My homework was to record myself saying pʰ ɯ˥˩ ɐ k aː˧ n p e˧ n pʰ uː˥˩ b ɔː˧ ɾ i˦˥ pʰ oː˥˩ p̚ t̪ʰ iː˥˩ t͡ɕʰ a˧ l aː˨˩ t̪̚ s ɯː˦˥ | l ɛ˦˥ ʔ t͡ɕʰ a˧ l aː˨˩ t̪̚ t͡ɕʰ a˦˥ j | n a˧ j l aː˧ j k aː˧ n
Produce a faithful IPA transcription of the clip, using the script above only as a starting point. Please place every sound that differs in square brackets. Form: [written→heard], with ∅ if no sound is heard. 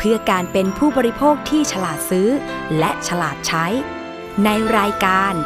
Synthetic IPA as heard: pʰ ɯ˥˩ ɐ k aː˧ n p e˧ n pʰ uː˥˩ b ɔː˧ ɾ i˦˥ pʰ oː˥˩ [p̚→k̚] t̪ʰ iː˥˩ t͡ɕʰ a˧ l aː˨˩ t̪̚ s ɯː˦˥ | l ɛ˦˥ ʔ t͡ɕʰ a˧ l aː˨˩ t̪̚ t͡ɕʰ a˦˥ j | n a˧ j [l→ɾ] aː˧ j k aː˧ n